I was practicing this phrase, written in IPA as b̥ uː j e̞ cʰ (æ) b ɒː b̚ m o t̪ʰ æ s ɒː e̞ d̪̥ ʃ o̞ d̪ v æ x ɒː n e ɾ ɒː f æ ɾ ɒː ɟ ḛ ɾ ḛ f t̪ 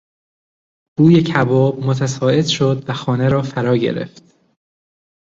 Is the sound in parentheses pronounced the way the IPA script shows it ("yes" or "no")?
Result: yes